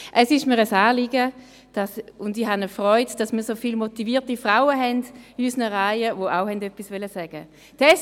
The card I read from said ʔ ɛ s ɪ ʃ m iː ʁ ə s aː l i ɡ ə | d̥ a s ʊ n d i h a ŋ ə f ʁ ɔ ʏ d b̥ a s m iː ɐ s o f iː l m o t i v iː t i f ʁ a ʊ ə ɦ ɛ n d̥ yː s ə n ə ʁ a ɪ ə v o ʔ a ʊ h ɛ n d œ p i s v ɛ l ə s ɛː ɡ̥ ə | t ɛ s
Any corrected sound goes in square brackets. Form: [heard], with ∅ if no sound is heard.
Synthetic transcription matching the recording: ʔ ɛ s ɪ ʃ m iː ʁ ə s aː l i ɡ ə | d̥ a s ʊ n d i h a [n] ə f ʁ ɔ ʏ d [d̥] a s m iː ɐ s o f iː l m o t i v iː t i f ʁ a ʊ ə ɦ ɛ n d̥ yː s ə n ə ʁ a ɪ ə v o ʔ a ʊ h ɛ n d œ p i s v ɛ l ə s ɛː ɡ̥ ə | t ɛ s